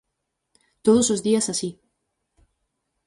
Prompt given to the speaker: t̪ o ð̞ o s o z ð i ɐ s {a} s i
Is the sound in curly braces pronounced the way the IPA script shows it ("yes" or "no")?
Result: yes